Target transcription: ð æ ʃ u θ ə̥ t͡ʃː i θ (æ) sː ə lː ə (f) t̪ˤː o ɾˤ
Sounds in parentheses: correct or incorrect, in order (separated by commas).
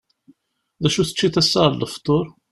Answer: correct, correct